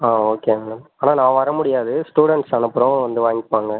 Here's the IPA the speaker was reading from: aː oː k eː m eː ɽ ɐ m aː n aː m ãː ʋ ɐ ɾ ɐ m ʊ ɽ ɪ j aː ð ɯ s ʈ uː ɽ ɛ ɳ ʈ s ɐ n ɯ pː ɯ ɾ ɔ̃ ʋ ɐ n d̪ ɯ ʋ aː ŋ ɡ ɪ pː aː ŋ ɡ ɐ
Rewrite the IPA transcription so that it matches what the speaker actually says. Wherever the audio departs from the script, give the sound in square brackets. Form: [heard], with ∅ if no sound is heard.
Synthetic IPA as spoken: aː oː k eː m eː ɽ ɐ m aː n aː [n] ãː ʋ ɐ ɾ ɐ m ʊ ɽ ɪ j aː ð ɯ s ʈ uː ɽ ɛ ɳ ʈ s ɐ n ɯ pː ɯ ɾ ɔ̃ ʋ ɐ n d̪ ɯ ʋ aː ŋ ɡ ɪ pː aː ŋ ɡ ɐ